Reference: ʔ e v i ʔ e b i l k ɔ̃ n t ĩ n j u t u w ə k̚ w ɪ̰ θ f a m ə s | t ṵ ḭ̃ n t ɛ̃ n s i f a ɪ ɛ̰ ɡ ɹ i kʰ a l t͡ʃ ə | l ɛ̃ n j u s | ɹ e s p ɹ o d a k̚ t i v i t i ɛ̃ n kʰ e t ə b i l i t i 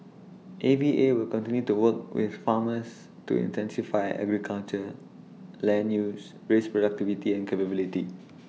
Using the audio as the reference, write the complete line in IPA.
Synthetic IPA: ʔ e v i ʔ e w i l k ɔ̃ n t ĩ n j u t u w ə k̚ w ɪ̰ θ f a m ə s | t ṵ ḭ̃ n t ɛ̃ n s i f a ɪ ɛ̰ ɡ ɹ i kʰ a l t͡ʃ ə | l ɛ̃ n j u s | ɹ e s p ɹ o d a k̚ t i v i t i ɛ̃ n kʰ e p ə b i l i t i